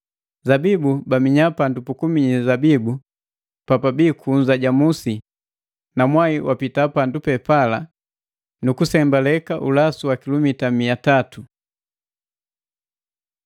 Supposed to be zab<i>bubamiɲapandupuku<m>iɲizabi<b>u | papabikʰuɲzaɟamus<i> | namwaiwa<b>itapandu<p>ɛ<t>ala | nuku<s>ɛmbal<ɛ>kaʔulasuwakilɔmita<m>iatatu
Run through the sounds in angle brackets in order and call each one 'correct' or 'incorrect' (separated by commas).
correct, correct, correct, correct, incorrect, correct, incorrect, correct, correct, correct